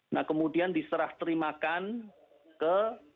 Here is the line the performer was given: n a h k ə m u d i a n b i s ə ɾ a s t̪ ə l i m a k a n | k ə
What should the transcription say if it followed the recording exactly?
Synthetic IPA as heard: n a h k ə m u d i a n d i s ə ɾ a h t̪ ə ɾ i m a k a n | k ə